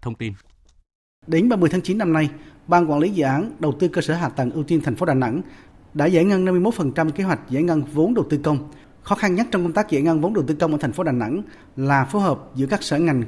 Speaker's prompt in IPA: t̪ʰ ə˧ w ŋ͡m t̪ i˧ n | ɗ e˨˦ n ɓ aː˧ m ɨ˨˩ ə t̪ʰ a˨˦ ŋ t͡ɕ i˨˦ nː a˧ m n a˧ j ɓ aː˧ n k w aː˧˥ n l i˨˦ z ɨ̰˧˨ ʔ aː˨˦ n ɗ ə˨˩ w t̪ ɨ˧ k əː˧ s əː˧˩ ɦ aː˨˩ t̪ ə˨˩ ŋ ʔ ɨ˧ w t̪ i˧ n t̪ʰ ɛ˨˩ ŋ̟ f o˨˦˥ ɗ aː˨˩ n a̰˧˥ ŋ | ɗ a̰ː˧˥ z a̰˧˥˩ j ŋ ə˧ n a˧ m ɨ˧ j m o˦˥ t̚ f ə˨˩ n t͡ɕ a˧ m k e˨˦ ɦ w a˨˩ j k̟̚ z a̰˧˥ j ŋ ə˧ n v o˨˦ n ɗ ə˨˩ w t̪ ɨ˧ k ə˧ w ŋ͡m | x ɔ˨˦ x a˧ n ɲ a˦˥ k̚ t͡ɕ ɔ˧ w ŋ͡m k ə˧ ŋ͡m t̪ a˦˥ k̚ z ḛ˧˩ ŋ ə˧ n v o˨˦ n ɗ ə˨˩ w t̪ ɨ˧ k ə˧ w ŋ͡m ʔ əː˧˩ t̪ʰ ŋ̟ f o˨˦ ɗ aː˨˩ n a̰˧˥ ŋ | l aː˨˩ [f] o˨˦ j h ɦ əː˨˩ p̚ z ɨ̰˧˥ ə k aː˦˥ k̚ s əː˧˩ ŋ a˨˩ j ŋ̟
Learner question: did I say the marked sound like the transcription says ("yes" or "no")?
yes